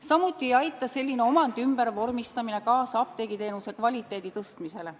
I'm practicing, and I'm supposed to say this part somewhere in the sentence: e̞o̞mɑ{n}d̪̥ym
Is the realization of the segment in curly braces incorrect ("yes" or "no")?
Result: no